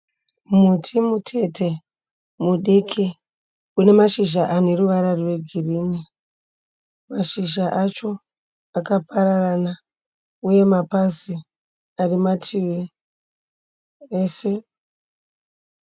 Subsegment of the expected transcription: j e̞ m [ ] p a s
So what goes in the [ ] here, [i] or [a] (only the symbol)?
a